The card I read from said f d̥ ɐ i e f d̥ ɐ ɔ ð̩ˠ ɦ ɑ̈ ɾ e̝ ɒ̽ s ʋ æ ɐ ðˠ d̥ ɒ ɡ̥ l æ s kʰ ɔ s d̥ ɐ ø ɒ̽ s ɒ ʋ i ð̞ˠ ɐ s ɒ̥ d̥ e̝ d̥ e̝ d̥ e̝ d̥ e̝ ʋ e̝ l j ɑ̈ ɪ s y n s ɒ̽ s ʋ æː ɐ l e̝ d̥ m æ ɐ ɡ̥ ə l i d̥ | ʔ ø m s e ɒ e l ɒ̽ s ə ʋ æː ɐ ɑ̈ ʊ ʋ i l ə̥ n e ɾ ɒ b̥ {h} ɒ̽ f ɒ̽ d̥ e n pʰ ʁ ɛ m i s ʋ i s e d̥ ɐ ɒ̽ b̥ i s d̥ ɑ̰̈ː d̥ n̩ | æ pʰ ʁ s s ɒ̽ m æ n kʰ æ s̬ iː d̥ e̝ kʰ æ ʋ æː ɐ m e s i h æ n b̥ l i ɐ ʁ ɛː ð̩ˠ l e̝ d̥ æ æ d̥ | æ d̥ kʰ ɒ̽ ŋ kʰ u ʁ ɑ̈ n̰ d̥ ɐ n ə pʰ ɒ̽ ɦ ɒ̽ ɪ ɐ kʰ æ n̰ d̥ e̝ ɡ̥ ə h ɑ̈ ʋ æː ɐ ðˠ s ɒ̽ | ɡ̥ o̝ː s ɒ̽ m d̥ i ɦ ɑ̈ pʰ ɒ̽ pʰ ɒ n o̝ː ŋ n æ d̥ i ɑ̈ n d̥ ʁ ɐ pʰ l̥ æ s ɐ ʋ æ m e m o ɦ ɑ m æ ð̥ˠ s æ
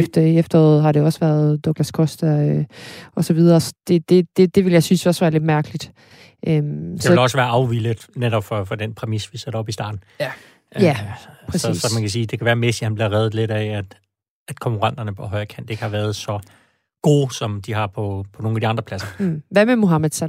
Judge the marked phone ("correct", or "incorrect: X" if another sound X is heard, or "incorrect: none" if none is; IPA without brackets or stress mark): incorrect: f